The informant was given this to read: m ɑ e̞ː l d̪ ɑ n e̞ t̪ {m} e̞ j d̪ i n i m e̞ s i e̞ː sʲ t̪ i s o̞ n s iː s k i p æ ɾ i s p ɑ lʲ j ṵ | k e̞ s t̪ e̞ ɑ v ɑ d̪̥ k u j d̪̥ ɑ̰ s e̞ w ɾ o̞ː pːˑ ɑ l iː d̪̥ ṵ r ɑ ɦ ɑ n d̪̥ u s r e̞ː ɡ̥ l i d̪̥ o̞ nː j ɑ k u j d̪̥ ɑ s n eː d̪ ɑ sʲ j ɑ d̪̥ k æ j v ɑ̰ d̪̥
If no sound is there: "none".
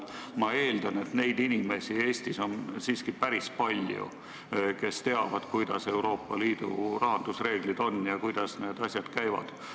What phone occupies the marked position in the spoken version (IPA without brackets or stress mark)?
n